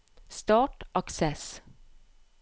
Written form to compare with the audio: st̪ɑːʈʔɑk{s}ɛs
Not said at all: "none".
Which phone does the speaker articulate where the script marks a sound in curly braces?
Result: s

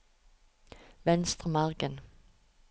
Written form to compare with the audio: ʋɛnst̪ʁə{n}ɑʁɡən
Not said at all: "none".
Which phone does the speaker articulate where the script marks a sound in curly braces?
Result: m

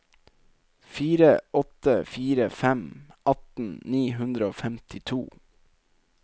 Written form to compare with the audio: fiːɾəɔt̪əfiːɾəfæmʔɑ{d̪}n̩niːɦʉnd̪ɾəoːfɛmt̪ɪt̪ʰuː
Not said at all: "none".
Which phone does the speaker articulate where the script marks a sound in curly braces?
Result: t̪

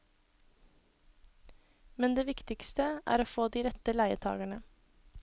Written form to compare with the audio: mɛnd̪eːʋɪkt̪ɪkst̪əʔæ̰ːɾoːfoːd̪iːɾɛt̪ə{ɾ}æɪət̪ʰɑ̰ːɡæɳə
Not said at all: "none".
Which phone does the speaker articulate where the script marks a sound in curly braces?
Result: l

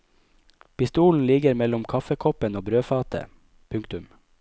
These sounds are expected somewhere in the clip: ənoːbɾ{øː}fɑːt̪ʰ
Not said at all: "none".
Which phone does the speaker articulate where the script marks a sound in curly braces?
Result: øː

